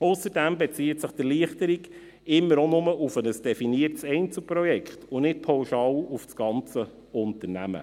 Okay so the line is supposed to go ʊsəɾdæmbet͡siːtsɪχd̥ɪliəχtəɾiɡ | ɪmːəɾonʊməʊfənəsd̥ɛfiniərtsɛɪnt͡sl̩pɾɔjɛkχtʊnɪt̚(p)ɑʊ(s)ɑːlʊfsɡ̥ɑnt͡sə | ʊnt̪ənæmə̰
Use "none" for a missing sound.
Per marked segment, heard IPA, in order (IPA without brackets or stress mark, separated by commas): pʰ, ʃ